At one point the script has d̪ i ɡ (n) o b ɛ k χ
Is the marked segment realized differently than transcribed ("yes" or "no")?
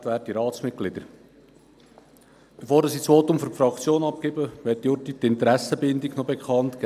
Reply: no